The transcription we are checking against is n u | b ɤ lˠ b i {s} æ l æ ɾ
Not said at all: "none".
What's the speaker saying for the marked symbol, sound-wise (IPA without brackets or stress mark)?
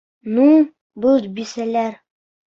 s